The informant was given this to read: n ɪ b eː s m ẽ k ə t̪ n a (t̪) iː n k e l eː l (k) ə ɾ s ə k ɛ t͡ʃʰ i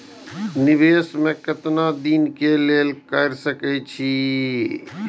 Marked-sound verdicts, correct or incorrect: incorrect, correct

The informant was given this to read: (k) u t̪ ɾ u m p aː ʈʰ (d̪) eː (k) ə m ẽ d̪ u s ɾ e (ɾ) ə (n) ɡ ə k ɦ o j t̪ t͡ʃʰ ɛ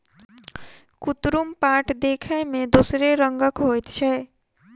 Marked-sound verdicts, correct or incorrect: correct, correct, incorrect, correct, incorrect

